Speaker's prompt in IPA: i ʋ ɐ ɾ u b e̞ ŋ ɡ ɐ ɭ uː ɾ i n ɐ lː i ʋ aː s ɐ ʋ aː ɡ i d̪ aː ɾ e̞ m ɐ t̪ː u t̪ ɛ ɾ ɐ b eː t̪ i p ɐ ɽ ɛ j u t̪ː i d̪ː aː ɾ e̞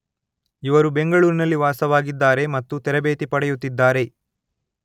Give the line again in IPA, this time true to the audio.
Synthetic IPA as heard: i ʋ ɐ ɾ u b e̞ ŋ ɡ ɐ ɭ uː ɾ i n ɐ lː i ʋ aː s ɐ ʋ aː ɡ i d̪ː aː ɾ e̞ m ɐ t̪ː u t̪ ɛ ɾ ɐ b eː t̪ i p ɐ ɽ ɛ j u t̪ː i d̪ː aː ɾ e̞